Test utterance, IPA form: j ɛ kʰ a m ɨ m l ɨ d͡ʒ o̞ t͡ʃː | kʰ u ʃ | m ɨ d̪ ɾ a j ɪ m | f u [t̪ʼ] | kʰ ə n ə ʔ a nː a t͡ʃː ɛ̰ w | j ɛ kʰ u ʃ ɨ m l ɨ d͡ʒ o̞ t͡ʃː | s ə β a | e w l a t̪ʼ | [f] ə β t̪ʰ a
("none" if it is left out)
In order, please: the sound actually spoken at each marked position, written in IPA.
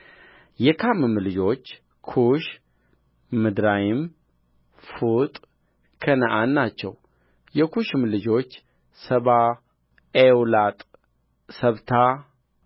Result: t̪ʼ, s

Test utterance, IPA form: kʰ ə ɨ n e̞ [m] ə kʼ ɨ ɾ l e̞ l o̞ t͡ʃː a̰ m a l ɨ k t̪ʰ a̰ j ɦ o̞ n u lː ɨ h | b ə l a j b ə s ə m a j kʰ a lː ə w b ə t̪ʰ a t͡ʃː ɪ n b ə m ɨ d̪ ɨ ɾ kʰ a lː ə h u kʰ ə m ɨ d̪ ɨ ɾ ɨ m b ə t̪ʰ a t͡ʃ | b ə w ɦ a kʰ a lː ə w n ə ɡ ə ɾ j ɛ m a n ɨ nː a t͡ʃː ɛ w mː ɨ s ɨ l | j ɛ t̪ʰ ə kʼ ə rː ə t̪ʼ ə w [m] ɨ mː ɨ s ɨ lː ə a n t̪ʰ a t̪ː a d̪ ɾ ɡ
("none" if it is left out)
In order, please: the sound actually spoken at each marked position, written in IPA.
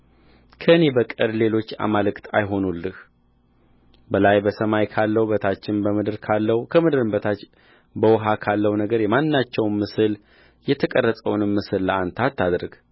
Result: b, n

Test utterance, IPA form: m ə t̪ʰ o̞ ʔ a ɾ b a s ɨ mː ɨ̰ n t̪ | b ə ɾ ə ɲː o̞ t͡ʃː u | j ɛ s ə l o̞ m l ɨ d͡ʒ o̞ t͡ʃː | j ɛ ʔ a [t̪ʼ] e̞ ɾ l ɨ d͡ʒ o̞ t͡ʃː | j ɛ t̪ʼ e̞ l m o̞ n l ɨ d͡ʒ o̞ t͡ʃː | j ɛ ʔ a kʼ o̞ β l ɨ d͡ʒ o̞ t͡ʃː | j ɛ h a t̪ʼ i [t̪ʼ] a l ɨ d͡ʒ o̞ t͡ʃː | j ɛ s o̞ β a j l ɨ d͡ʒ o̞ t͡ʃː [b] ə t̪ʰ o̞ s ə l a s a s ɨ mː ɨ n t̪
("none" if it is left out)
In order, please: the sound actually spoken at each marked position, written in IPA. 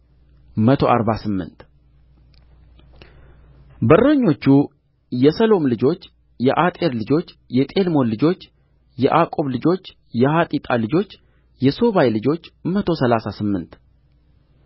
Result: t̪ʼ, t̪ʼ, m

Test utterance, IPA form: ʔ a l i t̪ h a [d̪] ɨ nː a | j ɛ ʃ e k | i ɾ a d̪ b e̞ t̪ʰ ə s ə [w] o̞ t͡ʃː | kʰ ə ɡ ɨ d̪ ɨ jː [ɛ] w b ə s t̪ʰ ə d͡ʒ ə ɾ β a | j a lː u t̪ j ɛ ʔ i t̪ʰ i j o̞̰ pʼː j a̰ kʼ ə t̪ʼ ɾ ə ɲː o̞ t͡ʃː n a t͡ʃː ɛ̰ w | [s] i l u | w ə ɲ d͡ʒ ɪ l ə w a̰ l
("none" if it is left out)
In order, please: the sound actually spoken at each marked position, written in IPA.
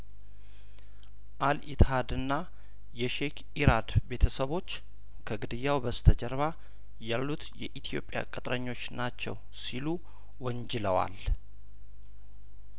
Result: d̪, β, a, s

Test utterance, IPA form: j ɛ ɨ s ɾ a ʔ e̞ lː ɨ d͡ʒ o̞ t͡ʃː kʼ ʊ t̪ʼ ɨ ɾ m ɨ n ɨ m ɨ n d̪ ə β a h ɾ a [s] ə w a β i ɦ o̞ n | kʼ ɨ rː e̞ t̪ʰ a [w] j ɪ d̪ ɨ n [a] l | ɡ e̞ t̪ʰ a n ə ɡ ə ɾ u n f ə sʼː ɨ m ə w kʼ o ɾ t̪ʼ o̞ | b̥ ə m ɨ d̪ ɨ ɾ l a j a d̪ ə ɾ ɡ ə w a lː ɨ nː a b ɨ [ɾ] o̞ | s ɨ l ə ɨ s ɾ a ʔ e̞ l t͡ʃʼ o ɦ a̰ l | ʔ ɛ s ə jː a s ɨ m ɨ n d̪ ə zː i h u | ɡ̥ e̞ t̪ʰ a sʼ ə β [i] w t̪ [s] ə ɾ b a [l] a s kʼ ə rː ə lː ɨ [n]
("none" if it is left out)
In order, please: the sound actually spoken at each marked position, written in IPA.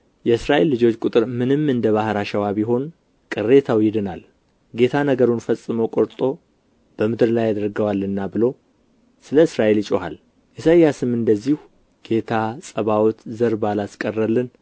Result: ʃ, w, a, l, a, z, l, n

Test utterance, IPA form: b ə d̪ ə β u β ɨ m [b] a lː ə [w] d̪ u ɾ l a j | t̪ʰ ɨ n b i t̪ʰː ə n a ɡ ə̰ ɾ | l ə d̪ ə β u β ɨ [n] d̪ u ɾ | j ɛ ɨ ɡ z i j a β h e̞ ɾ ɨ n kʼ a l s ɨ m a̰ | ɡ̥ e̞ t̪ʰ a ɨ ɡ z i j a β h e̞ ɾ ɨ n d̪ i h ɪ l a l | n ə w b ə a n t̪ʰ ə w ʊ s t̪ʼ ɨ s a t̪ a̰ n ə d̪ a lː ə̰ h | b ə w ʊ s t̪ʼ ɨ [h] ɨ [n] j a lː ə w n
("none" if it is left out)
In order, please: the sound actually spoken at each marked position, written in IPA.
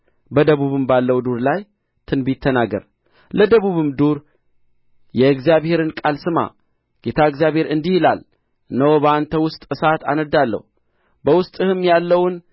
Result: b, w, m, h, m

